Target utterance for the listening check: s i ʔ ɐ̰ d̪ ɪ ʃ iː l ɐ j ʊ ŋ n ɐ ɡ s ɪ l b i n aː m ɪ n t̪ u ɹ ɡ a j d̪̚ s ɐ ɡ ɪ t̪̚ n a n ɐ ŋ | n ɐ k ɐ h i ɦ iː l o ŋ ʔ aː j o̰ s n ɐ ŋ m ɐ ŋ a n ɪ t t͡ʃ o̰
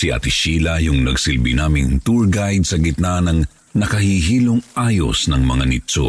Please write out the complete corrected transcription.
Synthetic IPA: s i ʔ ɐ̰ t̪ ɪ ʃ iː l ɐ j ʊ ŋ n ɐ ɡ s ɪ l b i n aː m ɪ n t̪ u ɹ ɡ a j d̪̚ s ɐ ɡ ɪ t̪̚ n a n ɐ ŋ | n ɐ k ɐ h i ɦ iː l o ŋ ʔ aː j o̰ s n ɐ ŋ m ɐ ŋ a n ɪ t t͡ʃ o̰